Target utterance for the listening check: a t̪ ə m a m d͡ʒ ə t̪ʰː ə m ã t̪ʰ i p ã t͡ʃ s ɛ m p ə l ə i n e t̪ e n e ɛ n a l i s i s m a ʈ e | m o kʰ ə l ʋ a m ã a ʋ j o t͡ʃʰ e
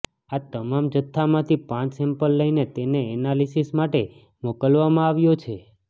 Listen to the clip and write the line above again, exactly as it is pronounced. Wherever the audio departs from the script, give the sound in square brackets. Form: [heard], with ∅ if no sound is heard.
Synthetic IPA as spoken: a t̪ ə m a m d͡ʒ ə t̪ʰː [a] m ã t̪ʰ i p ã t͡ʃ s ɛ m p ə [lː] ə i n e t̪ e n e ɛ n a l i s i s m a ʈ e | m o [k] ə l ʋ a m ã a ʋ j o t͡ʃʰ e